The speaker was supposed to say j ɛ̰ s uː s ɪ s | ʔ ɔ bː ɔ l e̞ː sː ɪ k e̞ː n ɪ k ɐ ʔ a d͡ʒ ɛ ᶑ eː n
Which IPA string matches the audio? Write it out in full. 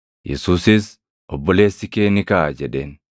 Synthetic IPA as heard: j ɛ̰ s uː s ɪ s | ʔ ɔ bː ɔ l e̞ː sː ɪ k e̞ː n ɪ k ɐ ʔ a d͡ʒ ɛ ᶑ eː n